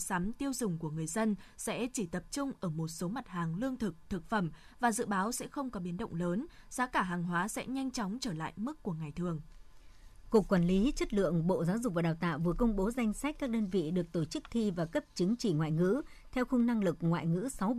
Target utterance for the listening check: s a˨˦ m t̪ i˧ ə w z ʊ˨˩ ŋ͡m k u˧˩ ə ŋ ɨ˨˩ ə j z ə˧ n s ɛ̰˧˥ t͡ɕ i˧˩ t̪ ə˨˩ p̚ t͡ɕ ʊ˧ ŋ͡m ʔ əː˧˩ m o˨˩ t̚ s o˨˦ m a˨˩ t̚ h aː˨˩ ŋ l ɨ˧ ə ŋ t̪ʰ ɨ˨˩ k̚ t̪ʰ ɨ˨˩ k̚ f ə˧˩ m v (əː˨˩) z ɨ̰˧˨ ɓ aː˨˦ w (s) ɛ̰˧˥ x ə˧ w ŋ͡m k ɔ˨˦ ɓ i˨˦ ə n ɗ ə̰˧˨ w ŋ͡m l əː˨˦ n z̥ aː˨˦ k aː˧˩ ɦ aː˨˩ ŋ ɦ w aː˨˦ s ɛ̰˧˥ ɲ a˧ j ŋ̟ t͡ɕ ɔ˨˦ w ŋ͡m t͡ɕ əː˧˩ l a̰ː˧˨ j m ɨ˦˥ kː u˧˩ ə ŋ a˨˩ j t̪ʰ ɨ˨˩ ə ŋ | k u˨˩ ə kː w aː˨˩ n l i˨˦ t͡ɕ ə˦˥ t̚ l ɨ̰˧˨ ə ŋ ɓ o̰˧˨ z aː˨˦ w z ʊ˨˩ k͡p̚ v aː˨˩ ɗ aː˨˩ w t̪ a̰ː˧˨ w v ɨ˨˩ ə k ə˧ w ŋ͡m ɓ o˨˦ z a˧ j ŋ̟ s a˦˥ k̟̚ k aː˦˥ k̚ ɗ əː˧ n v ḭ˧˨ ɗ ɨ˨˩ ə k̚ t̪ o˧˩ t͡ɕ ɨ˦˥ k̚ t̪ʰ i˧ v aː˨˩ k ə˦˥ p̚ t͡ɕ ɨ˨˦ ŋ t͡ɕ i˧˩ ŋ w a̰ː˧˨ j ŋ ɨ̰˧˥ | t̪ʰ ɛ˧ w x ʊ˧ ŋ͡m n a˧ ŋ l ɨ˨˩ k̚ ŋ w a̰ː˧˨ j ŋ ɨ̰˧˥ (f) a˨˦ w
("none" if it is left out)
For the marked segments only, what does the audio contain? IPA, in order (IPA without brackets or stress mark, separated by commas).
aː˨˩, s, s